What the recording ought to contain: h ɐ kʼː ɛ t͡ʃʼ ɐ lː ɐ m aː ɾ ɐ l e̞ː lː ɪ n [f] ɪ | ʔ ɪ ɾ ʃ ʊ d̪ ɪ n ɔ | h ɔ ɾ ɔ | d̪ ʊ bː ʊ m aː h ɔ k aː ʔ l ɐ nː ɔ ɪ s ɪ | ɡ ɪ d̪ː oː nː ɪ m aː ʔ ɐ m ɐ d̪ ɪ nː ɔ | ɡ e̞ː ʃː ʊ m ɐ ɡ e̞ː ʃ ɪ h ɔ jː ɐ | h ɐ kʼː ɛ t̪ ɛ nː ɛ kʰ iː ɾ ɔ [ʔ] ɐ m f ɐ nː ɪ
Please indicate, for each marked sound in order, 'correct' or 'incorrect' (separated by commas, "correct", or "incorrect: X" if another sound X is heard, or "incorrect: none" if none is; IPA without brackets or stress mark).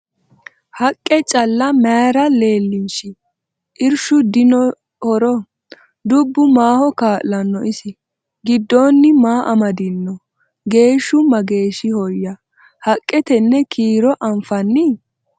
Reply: incorrect: ʃ, correct